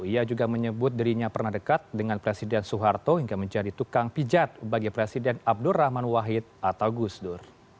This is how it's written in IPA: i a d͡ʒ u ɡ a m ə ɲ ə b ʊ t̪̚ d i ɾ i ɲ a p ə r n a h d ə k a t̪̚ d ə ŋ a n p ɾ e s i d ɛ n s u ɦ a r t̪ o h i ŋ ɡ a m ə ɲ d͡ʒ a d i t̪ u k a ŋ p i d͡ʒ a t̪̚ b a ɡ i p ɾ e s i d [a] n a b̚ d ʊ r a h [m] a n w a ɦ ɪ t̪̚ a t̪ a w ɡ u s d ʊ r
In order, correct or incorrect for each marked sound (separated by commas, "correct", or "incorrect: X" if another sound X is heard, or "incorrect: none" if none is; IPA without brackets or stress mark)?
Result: incorrect: ɛ, correct